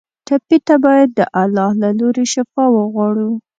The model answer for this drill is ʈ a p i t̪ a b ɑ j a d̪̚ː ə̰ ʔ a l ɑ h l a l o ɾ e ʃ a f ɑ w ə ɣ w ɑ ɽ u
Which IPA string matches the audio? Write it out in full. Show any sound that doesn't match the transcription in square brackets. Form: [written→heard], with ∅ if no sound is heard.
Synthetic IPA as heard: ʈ a p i t̪ a b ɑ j a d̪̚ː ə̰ ʔ a l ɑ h l a l o ɾ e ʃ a f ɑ w ə ɣ w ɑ ɽ u